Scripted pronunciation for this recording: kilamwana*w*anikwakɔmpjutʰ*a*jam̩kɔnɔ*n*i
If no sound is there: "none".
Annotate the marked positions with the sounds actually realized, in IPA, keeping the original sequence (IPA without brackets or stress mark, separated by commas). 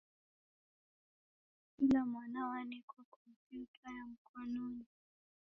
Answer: w, a, n